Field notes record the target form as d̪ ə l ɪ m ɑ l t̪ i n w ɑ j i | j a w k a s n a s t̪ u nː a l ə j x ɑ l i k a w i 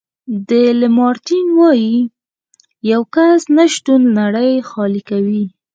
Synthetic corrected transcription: d̪ ə l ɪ m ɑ ɾ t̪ i n w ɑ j i | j a w k a s n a ʃ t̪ u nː a ɽ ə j x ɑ l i k a w i